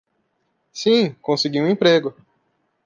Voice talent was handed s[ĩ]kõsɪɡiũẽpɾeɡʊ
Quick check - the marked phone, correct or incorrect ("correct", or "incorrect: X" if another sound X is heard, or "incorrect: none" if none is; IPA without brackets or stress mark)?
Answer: correct